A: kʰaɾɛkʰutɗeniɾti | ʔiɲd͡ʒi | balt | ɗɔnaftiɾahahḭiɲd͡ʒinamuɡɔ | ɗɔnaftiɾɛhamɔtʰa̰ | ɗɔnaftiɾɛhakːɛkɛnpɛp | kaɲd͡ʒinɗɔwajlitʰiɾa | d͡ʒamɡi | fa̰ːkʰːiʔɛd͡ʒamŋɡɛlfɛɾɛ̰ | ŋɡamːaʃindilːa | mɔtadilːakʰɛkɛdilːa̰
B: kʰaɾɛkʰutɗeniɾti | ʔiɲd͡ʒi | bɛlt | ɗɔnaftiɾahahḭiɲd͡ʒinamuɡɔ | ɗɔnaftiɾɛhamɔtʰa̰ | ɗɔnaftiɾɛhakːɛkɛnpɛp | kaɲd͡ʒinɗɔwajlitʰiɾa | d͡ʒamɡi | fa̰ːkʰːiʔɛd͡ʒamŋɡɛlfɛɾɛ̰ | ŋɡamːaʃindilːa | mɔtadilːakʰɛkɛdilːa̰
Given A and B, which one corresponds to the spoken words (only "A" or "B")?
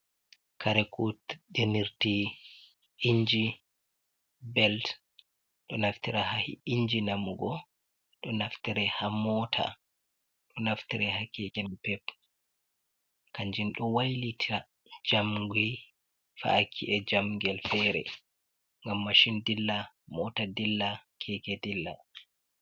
B